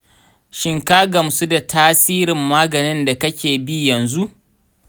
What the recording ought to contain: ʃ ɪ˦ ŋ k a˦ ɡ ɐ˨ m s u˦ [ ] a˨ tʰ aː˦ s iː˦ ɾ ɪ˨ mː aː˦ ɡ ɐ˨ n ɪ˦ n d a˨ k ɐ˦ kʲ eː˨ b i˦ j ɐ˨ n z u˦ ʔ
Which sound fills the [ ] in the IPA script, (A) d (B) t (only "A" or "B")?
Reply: A